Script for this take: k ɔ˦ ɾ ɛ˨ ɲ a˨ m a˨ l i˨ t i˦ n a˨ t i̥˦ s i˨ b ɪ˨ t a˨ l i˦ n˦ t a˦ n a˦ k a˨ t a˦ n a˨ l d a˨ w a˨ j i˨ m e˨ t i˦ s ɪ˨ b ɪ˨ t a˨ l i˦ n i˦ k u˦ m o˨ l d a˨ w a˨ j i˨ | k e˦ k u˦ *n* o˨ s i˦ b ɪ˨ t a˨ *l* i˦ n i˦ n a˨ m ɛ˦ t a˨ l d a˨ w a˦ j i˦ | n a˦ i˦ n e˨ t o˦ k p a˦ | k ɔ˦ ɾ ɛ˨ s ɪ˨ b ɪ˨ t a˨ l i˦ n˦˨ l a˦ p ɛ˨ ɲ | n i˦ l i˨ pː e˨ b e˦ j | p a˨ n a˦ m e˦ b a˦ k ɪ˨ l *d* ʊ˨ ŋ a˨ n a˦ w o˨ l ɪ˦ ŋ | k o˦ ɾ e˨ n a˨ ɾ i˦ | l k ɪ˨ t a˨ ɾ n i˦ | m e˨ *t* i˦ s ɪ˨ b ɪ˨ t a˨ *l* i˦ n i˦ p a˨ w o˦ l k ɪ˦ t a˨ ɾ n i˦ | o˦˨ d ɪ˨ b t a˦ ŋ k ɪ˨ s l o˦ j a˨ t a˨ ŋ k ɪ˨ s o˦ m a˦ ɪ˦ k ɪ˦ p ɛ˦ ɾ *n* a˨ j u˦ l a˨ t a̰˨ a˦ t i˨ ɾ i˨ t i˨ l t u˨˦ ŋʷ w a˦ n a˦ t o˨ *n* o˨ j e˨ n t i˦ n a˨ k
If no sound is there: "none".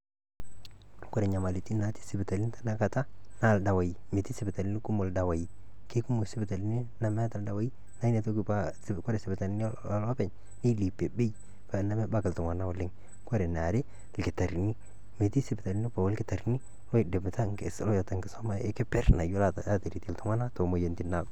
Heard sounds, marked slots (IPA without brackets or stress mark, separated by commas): m, l, t, t, l, n, m